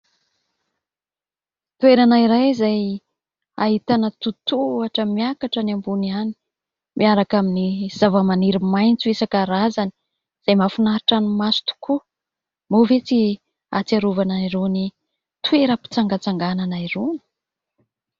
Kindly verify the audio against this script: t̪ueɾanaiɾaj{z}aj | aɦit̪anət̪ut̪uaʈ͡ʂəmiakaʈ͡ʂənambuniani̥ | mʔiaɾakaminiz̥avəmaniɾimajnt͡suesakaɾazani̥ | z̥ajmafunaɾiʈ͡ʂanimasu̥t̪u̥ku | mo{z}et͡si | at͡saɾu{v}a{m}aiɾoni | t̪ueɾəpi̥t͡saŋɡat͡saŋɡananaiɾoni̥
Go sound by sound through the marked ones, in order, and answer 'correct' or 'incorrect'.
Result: correct, incorrect: v, correct, incorrect: n

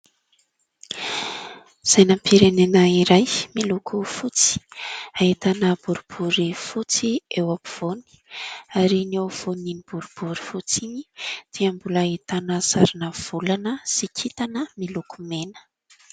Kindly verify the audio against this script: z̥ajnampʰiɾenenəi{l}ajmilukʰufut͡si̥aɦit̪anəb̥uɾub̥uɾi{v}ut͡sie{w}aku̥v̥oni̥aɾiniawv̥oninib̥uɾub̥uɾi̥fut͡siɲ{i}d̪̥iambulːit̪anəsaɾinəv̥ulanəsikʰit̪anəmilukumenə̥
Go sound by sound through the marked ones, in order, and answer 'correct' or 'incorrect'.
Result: incorrect: ɾ, incorrect: f, correct, correct

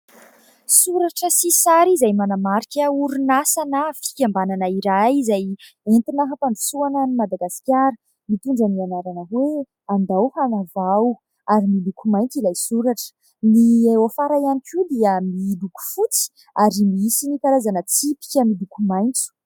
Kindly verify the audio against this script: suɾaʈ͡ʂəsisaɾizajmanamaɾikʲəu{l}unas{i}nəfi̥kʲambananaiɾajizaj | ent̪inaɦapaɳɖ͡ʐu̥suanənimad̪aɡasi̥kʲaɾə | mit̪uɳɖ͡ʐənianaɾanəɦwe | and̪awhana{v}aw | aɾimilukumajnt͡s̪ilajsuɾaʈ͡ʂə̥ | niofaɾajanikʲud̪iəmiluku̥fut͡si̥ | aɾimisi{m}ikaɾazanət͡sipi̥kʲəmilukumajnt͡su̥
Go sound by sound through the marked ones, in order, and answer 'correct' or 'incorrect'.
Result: incorrect: ɾ, incorrect: a, correct, incorrect: n

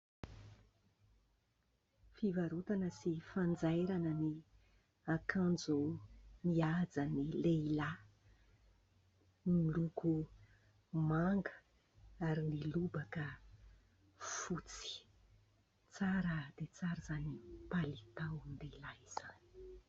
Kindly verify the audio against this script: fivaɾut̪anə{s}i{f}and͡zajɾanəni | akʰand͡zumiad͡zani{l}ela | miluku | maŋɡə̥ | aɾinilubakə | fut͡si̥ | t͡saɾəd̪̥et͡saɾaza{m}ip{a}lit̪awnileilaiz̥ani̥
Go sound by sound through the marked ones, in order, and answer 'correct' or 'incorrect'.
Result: correct, correct, correct, incorrect: n, correct

